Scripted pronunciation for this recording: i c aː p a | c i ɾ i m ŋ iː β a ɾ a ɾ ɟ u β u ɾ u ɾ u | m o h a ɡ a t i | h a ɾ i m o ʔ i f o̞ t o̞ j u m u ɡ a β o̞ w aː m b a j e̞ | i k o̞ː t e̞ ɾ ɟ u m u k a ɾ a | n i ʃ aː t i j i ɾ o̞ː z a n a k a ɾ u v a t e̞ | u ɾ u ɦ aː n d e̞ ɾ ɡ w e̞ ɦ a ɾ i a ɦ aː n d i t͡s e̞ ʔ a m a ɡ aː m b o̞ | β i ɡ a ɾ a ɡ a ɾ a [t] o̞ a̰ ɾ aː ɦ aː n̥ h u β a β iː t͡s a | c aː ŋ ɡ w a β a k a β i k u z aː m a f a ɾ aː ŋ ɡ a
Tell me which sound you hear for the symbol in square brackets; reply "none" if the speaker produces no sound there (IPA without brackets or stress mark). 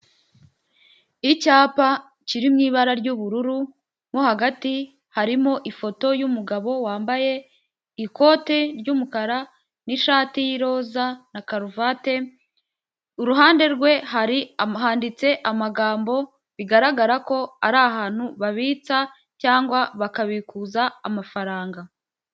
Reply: k